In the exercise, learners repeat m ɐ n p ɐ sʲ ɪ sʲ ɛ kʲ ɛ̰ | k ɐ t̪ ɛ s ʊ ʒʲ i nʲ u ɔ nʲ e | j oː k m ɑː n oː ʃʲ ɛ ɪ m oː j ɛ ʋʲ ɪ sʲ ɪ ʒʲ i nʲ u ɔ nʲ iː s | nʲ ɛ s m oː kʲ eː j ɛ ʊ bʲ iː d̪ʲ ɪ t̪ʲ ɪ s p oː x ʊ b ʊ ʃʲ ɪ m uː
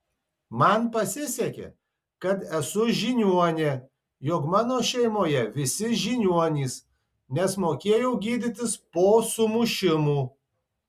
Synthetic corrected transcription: m ɐ n p ɐ sʲ ɪ sʲ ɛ kʲ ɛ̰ | k ɐ t̪ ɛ s ʊ ʒʲ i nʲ u ɔ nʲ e | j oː k m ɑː n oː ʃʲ ɛ ɪ m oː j ɛ ʋʲ ɪ sʲ ɪ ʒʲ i nʲ u ɔ nʲ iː s | nʲ ɛ s m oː kʲ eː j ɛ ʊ ɡʲ iː d̪ʲ ɪ t̪ʲ ɪ s p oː s ʊ m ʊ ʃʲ ɪ m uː